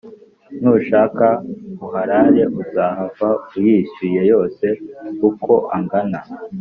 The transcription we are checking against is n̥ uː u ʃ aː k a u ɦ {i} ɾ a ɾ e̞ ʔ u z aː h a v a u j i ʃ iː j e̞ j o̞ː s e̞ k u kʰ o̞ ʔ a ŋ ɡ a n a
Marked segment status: incorrect: a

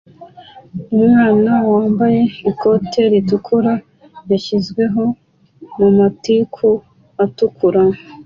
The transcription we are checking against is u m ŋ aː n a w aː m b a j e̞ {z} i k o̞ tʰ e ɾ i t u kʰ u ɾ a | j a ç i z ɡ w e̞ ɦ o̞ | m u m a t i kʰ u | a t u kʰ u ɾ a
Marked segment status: incorrect: none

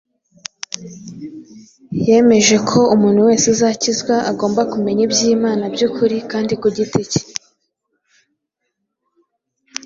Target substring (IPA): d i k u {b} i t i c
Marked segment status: incorrect: ɟ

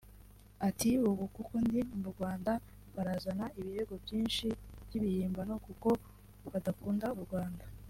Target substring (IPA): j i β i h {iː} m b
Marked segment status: correct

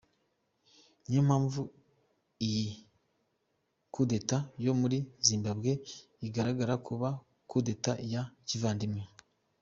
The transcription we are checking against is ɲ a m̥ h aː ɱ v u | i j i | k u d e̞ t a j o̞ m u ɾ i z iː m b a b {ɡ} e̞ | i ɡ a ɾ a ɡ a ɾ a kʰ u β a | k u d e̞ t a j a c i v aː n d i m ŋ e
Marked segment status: correct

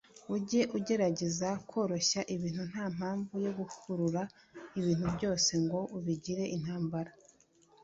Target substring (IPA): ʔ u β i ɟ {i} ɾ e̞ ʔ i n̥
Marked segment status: correct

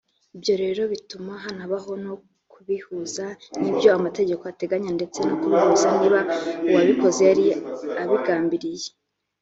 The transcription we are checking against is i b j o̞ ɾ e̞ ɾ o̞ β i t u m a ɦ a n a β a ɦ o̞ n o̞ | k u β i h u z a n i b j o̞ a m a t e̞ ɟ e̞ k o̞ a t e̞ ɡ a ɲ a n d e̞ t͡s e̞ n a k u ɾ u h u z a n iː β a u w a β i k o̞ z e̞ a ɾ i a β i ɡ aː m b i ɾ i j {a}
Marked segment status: incorrect: e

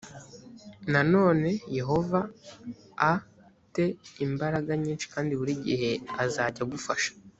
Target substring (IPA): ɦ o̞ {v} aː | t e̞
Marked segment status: correct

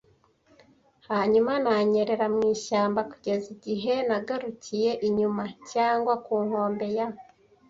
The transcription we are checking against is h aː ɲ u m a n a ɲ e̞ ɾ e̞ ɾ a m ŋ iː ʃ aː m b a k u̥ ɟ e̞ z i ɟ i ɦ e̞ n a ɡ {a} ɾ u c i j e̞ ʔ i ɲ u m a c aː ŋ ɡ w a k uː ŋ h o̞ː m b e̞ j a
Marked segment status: correct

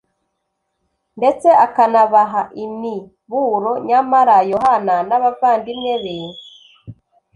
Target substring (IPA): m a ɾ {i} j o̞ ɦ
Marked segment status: incorrect: a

